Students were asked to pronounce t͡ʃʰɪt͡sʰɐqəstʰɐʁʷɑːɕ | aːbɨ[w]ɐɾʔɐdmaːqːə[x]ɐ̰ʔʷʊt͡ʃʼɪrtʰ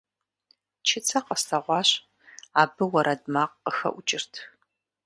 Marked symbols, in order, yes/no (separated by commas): yes, yes